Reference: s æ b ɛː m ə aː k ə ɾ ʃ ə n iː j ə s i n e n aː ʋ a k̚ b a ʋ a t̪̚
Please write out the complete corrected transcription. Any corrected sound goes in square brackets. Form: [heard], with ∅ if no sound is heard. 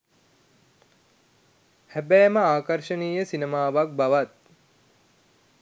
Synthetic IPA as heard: [h] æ b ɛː m ə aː k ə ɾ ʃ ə n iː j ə s i n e [m] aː ʋ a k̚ b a ʋ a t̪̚

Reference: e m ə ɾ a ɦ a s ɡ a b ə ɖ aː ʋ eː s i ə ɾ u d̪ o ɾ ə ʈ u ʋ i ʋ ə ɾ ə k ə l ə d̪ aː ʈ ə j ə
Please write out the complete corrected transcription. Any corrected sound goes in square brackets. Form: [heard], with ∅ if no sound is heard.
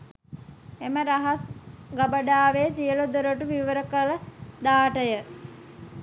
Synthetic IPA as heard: e m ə ɾ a ɦ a s ɡ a b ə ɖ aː ʋ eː s i ə [l] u d̪ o ɾ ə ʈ u ʋ i ʋ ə ɾ ə k ə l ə d̪ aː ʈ ə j ə

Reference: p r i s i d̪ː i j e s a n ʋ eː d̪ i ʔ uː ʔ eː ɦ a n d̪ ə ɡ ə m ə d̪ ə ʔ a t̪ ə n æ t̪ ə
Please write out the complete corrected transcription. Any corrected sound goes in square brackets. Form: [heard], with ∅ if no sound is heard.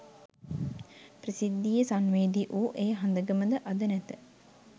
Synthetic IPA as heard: p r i s i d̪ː i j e s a n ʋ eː d̪ i ʔ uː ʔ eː ɦ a n d̪ ə ɡ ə m ə d̪ ə ʔ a [d̪] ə n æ t̪ ə

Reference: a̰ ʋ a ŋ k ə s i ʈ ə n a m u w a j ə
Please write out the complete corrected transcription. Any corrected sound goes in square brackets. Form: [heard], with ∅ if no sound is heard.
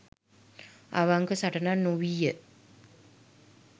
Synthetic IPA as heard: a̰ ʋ a ŋ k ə s [a] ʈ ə n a [n] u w [i] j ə

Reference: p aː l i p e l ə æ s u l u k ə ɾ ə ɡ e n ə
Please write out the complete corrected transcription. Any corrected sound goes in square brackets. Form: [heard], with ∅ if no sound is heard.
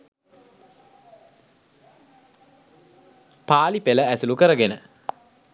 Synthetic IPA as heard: p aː l i p e l ə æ s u l u k ə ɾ ə ɡ e n ə

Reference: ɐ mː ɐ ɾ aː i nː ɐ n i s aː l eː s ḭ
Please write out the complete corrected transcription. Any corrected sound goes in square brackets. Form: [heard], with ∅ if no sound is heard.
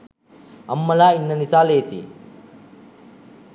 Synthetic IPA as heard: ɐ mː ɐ [l] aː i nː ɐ n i s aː l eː s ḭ

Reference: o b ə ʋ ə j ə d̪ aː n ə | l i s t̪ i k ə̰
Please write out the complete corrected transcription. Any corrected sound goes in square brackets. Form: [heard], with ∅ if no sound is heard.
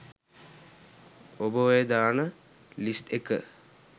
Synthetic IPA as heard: o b ə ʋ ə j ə d̪ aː n ə | l i s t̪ [e] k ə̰

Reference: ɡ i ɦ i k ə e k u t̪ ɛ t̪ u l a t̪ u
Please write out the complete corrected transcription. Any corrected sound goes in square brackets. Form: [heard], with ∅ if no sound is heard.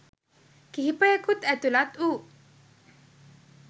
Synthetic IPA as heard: [k] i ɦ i [p] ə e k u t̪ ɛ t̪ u l a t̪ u

